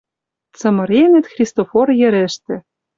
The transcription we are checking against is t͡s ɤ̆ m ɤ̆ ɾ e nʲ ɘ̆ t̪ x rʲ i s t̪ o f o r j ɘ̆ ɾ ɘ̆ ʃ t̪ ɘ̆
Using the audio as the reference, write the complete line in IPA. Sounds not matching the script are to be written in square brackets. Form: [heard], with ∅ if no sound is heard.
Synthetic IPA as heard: t͡s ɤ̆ m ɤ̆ ɾ e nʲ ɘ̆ t̪ x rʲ i s t̪ o f o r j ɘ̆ ɾ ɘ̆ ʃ t̪ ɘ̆